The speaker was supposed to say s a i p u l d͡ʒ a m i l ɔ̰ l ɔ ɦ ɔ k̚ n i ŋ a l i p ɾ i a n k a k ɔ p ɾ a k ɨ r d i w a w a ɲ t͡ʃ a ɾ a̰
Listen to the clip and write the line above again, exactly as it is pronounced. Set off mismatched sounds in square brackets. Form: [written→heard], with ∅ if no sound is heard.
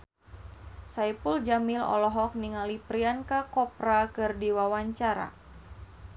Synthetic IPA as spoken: s a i p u l d͡ʒ a m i l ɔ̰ l ɔ ɦ ɔ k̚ n i ŋ a l i p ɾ i a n k a k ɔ p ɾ a k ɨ r d i w a w a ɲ t͡ʃ a ɾ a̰